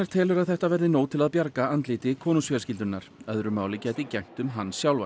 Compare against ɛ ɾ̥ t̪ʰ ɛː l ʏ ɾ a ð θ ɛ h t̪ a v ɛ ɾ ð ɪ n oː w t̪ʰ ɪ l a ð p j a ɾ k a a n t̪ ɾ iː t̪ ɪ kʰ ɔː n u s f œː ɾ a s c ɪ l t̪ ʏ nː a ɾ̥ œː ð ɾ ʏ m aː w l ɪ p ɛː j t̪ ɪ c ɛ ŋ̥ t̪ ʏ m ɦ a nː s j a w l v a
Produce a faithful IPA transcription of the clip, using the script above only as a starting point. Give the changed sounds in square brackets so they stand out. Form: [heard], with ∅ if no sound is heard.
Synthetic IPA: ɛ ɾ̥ t̪ʰ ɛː l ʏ ɾ a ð θ ɛ h t̪ a v ɛ ɾ ð ɪ n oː w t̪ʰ ɪ l a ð p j a ɾ k a a n t̪ [l] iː t̪ ɪ kʰ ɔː n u s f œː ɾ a s c ɪ l t̪ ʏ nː a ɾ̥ [œ] ð ɾ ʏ m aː w l ɪ [c] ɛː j t̪ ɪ c ɛ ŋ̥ t̪ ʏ m ɦ a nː s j a w l v a